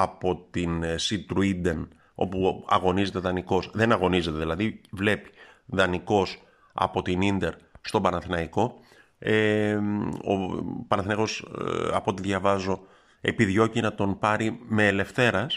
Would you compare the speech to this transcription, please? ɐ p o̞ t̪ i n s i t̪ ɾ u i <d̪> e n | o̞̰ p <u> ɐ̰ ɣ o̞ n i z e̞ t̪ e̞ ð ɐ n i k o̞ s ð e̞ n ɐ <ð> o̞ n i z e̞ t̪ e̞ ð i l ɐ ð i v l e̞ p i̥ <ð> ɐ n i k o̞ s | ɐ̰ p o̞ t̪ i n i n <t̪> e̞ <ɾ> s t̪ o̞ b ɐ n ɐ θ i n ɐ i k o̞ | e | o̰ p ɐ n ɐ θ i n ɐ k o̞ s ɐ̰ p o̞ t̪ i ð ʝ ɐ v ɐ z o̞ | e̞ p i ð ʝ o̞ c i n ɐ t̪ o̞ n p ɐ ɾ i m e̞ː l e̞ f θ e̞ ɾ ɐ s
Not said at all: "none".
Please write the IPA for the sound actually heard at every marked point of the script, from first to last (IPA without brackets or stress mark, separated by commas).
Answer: d̪, u, ɣ, ð, d̪, ɾ